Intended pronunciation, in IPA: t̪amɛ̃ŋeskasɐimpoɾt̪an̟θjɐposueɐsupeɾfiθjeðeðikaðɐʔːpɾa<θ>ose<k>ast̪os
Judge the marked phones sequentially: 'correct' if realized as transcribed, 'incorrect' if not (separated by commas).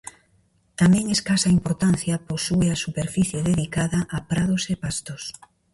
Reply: incorrect, incorrect